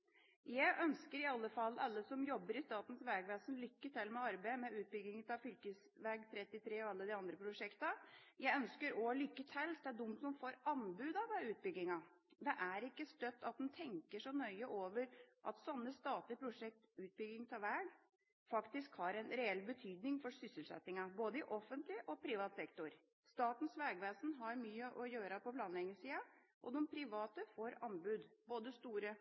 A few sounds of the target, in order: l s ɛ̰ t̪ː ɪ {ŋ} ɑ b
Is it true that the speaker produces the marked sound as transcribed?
yes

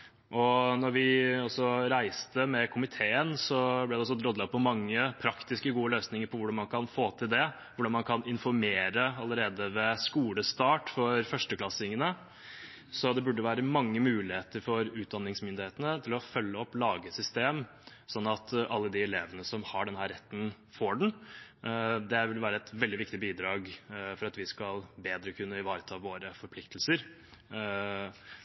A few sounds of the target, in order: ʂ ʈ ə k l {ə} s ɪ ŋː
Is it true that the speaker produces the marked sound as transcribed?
no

